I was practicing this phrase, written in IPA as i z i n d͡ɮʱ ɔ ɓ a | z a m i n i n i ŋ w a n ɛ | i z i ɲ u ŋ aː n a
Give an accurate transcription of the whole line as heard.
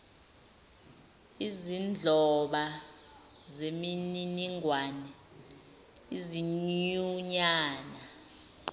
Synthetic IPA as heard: i z i n d͡ɮʱ ɔ ɓ a | z e m i n i n i ŋ w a n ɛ | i z i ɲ u ɲ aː n a